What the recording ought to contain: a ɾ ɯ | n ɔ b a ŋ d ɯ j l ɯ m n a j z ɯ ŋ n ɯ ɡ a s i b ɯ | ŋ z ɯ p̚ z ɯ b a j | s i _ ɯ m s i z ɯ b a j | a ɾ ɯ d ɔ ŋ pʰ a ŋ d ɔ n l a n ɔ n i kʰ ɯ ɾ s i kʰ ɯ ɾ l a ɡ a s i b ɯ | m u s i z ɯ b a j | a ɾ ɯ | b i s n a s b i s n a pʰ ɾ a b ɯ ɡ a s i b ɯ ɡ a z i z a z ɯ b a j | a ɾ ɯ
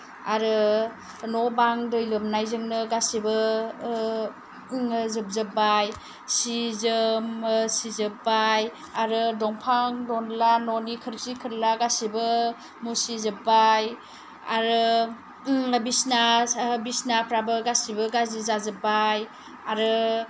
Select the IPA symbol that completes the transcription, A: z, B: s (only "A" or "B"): A